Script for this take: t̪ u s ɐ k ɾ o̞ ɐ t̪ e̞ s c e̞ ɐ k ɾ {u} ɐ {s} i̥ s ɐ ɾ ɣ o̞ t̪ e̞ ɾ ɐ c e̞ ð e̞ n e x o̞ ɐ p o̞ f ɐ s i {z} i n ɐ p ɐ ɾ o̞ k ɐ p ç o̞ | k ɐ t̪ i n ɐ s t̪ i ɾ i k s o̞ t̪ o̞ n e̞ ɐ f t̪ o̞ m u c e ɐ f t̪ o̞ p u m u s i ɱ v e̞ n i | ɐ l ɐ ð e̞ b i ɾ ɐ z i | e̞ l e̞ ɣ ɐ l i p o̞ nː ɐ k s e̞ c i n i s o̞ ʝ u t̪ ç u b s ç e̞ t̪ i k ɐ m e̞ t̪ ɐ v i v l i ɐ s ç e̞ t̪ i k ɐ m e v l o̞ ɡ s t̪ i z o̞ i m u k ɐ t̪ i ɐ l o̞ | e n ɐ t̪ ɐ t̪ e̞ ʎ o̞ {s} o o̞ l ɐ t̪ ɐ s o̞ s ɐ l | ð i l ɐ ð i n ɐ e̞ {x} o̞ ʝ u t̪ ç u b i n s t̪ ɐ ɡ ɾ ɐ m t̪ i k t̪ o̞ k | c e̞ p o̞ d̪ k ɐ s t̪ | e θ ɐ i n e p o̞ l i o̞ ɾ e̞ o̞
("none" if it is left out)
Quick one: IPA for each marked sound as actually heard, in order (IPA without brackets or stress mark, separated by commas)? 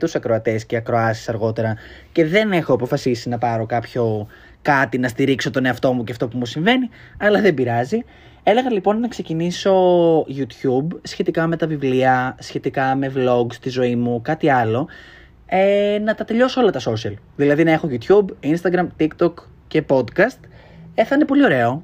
o, s, s, s, x